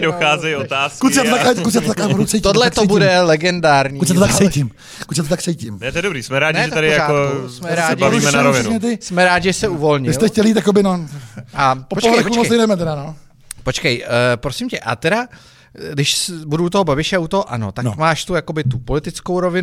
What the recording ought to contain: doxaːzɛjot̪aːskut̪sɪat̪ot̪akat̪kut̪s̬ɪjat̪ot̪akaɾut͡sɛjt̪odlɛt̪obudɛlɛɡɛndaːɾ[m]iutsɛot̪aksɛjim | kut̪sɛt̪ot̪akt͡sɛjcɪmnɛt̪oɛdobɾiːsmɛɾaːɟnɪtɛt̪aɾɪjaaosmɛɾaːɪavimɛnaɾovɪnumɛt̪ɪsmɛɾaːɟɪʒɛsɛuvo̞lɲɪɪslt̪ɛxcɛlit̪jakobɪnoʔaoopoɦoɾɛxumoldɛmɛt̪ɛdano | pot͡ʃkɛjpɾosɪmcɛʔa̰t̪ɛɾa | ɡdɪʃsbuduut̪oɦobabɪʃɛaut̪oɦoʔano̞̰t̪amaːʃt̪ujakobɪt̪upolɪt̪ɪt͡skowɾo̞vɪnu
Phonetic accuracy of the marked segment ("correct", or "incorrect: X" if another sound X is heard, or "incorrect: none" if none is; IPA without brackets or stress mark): incorrect: ɲ